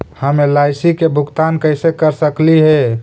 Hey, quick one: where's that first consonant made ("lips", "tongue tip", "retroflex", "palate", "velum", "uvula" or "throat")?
throat